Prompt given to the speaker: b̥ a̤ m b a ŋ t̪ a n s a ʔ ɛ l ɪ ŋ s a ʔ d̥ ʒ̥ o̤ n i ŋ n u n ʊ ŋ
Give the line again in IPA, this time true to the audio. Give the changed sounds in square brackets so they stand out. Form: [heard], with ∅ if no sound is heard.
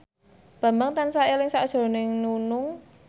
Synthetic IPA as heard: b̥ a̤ m b a ŋ t̪ a n s a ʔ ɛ l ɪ ŋ s a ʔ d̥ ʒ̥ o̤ n [ɪ] ŋ n u n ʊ ŋ

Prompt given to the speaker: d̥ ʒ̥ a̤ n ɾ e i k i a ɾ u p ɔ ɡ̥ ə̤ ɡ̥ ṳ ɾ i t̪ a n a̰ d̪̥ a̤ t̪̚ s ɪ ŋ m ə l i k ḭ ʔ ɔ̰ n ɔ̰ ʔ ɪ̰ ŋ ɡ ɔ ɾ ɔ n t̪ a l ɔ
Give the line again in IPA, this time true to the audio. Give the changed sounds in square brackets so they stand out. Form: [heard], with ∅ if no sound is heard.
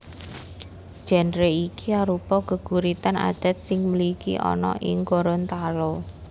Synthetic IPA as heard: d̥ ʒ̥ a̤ n ɾ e i k i a ɾ u p ɔ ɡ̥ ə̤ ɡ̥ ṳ ɾ i t̪ a n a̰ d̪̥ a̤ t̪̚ s ɪ ŋ m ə l i k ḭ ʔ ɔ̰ n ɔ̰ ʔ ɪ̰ ŋ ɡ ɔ ɾ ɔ n t̪ a l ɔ

